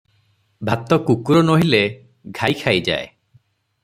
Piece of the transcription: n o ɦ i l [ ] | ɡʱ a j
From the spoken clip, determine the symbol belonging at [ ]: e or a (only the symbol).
e